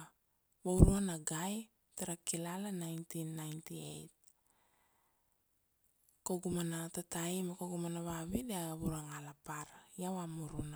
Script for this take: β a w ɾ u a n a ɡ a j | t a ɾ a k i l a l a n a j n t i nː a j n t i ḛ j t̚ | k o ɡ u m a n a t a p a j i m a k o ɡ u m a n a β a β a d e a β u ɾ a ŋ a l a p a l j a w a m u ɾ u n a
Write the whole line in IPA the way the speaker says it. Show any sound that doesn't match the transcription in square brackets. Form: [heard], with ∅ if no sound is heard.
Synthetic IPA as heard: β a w ɾ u a n a ɡ a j | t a ɾ a k i l a l a n a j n t i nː a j n t i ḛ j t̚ | k o ɡ u m a n a t a [t] a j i m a k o ɡ u m a n a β a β [i] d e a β u ɾ a ŋ a l a p a [ɾ] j a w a m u ɾ u n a